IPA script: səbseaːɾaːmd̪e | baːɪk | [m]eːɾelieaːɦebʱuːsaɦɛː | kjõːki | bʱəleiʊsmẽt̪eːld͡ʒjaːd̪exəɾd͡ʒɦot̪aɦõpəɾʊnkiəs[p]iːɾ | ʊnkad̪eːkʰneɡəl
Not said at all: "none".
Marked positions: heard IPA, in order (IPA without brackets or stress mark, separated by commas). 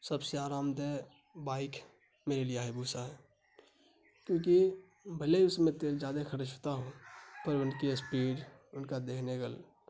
m, p